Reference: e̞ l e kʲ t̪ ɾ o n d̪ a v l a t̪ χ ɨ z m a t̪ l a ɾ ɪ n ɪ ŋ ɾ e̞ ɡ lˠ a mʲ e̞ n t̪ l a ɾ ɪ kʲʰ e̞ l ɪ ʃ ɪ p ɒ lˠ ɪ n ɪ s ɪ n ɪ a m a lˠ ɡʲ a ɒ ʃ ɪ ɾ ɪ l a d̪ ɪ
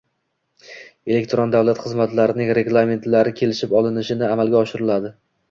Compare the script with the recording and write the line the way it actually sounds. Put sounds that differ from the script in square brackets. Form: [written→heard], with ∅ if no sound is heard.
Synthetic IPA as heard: e̞ l e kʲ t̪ ɾ o n d̪ a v l a t̪ χ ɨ z m a t̪ l a ɾ ɪ n ɪ ŋ ɾ e̞ ɡ lˠ a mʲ e̞ n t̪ l a ɾ ɪ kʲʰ e̞ l ɪ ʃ ɪ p ɒ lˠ ɪ n ɪ [s→ʃ] ɪ n ɪ a m a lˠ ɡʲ a ɒ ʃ ɪ ɾ ɪ l a d̪ ɪ